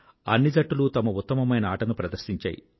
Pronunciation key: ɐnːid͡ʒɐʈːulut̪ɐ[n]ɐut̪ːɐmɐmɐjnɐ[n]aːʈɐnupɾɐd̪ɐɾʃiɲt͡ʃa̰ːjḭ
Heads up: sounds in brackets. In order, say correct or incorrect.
incorrect: m, incorrect: none

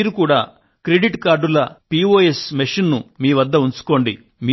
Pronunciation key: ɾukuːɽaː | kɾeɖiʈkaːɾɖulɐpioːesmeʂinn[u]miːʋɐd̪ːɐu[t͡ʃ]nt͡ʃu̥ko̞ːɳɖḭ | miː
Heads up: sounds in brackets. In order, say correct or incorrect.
correct, incorrect: none

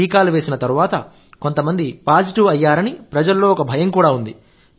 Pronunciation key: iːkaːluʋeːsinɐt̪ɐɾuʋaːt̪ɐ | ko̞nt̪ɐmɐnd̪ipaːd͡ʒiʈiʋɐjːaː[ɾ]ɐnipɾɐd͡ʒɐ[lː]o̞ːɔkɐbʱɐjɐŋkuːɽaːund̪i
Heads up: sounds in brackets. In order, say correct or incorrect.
correct, correct

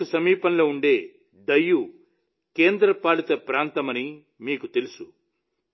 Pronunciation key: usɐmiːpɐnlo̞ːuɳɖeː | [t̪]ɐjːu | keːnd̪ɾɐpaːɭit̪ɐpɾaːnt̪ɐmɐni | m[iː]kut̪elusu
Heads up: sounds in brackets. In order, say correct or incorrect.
incorrect: d̪, correct

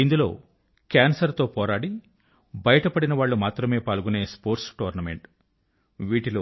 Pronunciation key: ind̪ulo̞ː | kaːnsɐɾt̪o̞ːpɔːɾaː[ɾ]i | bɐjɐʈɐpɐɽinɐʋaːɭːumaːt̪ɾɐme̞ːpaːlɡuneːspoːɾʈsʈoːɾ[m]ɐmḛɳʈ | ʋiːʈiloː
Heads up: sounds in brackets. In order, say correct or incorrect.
incorrect: ɽ, incorrect: n

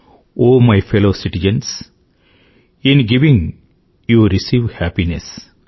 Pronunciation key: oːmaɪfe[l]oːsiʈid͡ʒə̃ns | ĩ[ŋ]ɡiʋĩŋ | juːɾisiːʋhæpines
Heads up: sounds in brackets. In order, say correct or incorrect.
correct, incorrect: n

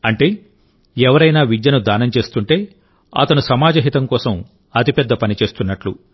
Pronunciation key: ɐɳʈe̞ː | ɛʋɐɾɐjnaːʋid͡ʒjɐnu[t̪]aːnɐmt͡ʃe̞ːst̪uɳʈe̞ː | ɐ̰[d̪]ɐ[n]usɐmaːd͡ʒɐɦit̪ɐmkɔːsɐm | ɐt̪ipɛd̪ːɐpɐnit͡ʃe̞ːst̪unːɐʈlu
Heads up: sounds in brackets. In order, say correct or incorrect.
incorrect: d̪, incorrect: t̪, correct

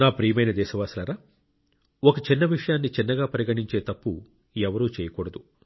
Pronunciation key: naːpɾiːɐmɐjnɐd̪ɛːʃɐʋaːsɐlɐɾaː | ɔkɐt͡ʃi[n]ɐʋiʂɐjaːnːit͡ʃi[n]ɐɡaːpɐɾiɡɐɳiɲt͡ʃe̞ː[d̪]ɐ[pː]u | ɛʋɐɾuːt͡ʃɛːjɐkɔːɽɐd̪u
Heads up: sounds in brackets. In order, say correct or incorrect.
incorrect: nː, incorrect: nː, incorrect: t̪, correct

